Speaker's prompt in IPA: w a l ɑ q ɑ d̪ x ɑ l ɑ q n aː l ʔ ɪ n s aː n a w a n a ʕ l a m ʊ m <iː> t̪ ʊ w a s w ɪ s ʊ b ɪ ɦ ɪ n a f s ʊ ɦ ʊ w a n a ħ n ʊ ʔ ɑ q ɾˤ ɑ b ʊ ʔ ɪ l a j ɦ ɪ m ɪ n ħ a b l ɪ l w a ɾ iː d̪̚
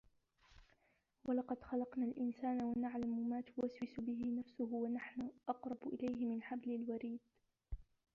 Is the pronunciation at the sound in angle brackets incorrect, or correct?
incorrect